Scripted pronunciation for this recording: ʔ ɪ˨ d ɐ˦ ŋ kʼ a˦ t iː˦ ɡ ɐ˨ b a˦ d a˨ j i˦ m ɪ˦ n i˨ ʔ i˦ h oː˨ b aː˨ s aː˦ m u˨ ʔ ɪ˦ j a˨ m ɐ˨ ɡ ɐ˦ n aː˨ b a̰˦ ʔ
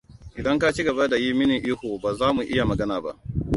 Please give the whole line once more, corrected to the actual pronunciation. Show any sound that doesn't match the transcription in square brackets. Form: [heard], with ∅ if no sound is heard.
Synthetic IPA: ʔ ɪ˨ d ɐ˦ ŋ [k] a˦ [t͡ʃ] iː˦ ɡ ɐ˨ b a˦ d a˨ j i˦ m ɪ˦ n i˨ ʔ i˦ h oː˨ b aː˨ [z] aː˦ m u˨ ʔ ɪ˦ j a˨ m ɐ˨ ɡ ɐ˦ n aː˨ b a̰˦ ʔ